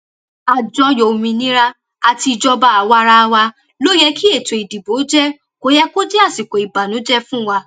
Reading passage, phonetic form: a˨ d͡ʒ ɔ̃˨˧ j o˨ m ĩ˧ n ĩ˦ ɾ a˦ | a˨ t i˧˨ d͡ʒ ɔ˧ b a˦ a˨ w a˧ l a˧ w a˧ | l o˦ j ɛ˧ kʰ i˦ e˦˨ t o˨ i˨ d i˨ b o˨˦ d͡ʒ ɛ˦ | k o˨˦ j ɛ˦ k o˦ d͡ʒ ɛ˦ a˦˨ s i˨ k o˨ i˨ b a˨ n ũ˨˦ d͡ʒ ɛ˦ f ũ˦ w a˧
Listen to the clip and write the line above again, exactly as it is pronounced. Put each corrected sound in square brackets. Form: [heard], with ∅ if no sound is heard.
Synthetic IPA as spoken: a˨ d͡ʒ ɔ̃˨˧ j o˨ m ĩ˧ n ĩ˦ ɾ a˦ | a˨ t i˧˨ d͡ʒ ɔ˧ b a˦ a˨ w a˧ [ɾ] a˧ w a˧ | l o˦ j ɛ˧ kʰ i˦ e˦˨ t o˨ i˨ d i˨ b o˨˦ d͡ʒ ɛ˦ | k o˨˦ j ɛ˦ k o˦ d͡ʒ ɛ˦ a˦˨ s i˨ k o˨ i˨ b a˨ n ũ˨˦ d͡ʒ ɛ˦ f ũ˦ w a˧